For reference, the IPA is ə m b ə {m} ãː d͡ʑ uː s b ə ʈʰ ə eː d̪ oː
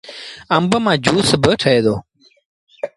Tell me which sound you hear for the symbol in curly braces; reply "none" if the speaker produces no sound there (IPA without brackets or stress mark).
m